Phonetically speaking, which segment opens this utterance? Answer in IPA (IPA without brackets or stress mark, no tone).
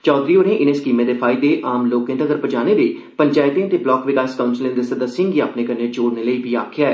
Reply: t͡ʃ